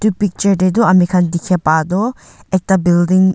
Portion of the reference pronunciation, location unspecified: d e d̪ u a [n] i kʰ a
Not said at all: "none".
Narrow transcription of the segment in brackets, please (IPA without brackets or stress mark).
m